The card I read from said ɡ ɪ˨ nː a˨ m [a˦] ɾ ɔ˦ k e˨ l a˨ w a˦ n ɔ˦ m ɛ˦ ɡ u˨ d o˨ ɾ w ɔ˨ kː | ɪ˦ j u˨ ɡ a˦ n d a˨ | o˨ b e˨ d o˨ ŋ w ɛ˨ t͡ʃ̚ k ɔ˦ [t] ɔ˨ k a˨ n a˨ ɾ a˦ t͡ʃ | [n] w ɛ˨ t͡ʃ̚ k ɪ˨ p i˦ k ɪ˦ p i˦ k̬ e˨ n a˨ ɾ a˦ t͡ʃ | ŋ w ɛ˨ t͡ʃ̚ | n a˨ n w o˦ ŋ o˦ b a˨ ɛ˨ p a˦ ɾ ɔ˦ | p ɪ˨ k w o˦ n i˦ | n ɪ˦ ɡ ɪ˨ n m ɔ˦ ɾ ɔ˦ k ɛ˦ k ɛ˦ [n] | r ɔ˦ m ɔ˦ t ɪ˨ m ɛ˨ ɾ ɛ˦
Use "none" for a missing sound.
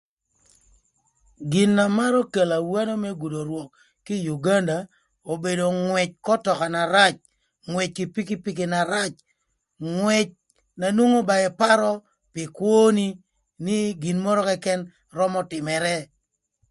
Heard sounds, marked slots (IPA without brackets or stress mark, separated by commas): a˦, t, ŋ, n